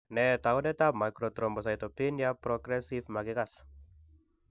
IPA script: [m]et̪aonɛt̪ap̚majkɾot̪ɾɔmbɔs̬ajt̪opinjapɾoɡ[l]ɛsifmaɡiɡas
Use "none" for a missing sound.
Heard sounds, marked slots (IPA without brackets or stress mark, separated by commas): n, ɾ